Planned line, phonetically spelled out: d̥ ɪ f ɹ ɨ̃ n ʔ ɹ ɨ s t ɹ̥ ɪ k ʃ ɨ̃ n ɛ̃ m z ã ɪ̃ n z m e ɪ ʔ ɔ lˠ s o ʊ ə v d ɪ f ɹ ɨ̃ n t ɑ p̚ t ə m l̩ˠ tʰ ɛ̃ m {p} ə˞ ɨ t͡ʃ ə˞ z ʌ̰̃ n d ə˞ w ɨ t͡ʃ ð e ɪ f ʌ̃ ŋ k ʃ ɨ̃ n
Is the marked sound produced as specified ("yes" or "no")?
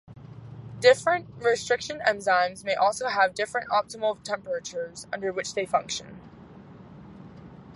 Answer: yes